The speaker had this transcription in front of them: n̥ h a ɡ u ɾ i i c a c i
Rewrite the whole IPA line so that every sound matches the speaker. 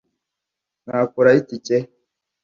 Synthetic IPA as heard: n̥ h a k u ɾ a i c i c e

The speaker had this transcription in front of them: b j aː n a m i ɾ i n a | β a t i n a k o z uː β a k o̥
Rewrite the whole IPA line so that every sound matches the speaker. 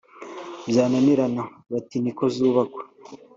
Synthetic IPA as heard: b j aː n a n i ɾ a n a | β a t i n i k o z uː β a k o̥

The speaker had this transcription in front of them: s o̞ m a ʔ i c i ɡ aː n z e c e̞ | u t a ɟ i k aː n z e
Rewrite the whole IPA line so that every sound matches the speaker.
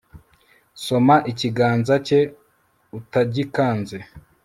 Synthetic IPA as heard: s o̞ m a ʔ i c i ɡ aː n z a c e̞ | u t a ɟ i k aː n z e

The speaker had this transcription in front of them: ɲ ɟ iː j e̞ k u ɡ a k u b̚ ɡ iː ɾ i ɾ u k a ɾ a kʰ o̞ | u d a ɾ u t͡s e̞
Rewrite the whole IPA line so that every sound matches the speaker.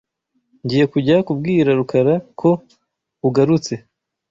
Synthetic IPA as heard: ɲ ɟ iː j e̞ k u ɟ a k u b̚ ɡ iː ɾ a ɾ u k a ɾ a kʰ o̞ | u ɡ a ɾ u t͡s e̞

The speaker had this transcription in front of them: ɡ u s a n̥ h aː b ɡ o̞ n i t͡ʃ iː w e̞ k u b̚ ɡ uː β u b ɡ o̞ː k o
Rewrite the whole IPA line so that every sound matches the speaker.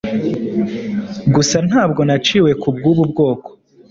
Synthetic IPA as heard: ɡ u s a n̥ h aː b ɡ o̞ n a t͡ʃ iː w e̞ k u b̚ ɡ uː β u b ɡ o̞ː k o

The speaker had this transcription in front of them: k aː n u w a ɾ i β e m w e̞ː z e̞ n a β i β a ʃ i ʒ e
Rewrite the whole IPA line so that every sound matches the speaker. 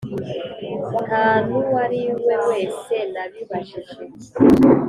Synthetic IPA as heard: k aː n u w a ɾ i w e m w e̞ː s e̞ n a β i β a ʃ i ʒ e

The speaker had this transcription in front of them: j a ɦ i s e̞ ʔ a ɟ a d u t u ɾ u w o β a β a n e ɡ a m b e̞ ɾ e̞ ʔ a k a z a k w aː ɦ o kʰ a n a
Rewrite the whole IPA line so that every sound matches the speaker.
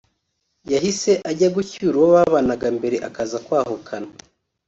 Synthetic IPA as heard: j a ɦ i s e̞ ʔ a ɟ a ɡ u c u ɾ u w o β a β a n a ɡ a m b e̞ ɾ e̞ ʔ a k a z a k w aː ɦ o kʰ a n a

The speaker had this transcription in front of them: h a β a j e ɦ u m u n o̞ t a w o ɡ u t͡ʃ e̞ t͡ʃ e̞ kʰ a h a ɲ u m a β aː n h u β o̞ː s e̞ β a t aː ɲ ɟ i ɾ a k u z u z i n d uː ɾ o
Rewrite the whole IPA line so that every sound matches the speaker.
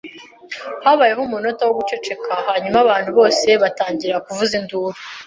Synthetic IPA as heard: h a β a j e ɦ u m u n o̞ t a w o ɡ u t͡ʃ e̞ t͡ʃ e̞ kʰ a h a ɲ u m a β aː n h u β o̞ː s e̞ β a t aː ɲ ɟ i ɾ a k u v u z i n d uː ɾ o

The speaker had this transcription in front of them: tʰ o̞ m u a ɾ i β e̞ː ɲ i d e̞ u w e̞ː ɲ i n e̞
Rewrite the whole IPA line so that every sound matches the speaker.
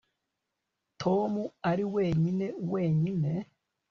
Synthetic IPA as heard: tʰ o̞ m u a ɾ i w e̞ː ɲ i n e̞ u w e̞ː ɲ i n e̞

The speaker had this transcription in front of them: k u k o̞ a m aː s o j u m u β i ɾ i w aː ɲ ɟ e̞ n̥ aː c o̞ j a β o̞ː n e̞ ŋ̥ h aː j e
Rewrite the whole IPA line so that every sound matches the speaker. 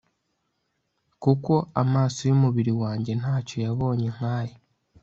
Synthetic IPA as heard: k u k o̞ a m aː s o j u m u β i ɾ i w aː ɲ ɟ e̞ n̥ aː c o̞ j a β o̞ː ɲ e̞ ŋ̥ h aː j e

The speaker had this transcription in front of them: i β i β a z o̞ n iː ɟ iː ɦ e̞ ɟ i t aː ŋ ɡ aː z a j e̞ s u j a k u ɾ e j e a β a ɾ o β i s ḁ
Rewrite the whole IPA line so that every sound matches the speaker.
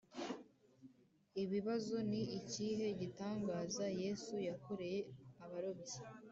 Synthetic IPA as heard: i β i β a z o̞ n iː c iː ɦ e̞ ɟ i t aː ŋ ɡ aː z a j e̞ s u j a k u ɾ e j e a β a ɾ o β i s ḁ

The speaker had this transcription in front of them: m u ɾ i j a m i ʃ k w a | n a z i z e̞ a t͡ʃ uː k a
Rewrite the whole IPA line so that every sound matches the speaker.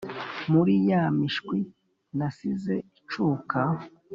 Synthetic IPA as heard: m u ɾ i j a m i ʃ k w i | n a s i z e̞ i t͡ʃ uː k a

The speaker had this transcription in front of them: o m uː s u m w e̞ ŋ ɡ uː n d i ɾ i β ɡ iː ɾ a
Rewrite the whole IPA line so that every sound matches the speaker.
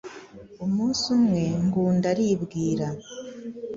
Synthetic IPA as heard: o m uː s u m w e̞ ŋ ɡ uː n d a ɾ i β ɡ iː ɾ a

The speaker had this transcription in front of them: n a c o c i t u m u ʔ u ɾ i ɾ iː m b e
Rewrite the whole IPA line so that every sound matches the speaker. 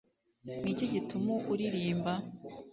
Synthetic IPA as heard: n i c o ɟ i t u m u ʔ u ɾ i ɾ iː m b a

